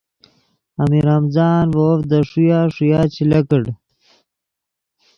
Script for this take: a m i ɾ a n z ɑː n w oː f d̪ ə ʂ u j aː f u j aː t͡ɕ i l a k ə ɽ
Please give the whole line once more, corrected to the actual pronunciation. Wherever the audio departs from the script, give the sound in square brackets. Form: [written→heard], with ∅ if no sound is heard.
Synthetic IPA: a m i ɾ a [n→m] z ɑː n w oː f d̪ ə ʂ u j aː [f→ʂ] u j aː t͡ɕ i l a k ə ɽ